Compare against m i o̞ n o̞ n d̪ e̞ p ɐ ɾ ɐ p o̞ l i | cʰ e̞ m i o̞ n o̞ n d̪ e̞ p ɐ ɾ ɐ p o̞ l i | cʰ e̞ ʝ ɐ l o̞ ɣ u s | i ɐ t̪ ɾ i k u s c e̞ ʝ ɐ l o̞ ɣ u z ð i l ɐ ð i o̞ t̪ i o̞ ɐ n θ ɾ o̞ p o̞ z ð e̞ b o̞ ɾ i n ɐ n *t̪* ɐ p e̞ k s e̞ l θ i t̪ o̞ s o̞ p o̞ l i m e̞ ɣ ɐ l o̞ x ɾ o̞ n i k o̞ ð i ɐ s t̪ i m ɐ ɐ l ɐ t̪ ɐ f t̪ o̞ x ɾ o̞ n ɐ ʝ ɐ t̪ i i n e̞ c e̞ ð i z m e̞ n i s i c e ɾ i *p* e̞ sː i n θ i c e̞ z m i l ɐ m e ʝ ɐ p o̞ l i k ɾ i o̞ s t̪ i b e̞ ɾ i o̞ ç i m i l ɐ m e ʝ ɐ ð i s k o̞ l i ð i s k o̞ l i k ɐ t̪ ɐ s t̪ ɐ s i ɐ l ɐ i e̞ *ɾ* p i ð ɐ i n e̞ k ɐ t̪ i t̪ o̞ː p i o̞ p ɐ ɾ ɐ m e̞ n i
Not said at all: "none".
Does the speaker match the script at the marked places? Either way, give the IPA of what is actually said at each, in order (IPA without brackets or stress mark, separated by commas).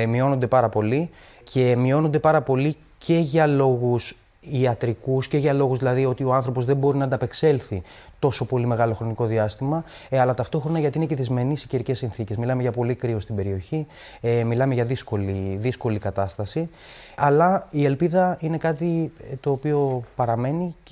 d̪, c, l